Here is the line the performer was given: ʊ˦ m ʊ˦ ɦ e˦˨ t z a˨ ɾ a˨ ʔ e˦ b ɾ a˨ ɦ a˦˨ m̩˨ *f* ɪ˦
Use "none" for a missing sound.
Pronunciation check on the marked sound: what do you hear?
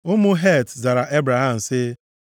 s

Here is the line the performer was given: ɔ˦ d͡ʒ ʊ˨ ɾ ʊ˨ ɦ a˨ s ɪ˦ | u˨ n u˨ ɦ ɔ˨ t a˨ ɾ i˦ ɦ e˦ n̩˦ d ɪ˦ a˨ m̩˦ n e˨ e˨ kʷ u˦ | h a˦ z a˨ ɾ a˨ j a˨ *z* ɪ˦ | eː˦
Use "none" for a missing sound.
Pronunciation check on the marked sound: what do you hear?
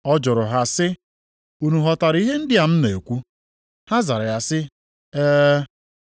s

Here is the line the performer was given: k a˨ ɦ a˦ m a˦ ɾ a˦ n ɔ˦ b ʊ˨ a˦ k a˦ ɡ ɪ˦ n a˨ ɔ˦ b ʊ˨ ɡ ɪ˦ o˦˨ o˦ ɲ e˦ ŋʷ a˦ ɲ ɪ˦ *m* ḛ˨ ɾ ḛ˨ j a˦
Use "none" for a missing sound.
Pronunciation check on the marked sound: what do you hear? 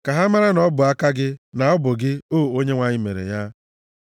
m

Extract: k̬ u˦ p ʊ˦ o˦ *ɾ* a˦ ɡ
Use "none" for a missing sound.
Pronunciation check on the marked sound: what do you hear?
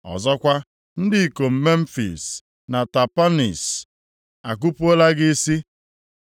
l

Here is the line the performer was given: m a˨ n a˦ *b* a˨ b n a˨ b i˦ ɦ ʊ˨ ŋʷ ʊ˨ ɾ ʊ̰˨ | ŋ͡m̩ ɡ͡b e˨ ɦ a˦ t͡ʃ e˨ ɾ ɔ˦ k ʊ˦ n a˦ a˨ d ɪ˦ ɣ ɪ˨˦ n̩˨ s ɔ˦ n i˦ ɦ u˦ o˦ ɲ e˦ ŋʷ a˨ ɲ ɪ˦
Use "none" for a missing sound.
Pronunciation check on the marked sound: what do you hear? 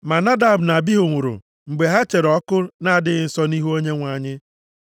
d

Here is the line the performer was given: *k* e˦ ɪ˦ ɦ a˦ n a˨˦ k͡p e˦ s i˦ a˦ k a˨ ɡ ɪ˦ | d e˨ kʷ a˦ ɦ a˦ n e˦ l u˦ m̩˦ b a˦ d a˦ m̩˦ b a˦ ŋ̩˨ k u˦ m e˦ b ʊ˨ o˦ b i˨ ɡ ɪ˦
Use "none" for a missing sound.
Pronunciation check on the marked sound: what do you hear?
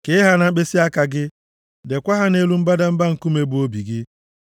k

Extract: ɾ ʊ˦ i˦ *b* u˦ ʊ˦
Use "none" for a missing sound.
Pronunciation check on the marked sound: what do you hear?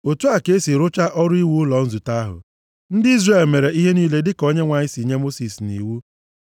w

